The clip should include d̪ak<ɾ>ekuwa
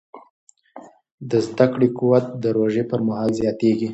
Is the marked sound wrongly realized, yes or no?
yes